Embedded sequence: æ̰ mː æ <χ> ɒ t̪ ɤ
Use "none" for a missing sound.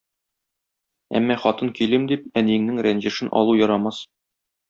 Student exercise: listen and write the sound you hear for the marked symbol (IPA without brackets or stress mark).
χ